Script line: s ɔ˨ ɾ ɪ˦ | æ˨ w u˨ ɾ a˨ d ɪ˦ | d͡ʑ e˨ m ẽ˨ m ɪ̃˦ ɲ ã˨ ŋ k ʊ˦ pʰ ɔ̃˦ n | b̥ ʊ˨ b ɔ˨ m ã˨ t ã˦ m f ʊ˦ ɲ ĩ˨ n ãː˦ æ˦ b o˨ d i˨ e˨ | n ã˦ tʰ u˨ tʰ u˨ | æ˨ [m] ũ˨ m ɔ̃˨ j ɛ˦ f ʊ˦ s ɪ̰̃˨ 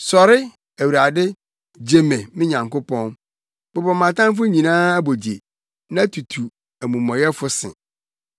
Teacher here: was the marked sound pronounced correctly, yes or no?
yes